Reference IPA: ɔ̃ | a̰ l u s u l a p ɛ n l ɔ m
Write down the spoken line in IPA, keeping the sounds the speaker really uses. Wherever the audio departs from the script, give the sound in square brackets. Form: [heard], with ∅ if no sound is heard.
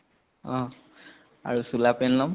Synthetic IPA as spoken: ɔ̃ | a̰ [ɹ] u s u l a p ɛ n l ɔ m